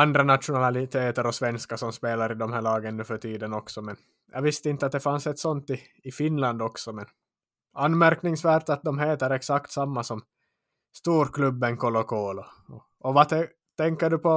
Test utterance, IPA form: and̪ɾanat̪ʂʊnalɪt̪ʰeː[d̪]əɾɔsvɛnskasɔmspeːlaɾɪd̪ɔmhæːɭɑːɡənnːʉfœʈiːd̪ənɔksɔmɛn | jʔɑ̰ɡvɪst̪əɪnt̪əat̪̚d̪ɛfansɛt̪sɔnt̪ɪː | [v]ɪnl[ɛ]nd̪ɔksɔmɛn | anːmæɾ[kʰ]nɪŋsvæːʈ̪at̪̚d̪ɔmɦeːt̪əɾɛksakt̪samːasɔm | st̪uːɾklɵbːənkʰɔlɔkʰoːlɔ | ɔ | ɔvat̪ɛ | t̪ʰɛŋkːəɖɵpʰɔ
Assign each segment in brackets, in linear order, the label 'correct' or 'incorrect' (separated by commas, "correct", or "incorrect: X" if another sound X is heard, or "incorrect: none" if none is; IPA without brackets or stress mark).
incorrect: t̪, incorrect: f, incorrect: a, incorrect: k